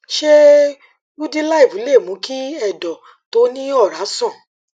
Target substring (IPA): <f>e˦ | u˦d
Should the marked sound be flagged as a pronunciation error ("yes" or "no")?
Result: yes